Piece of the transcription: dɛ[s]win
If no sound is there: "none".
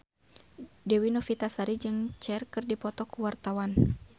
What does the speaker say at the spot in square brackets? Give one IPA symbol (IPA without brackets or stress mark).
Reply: none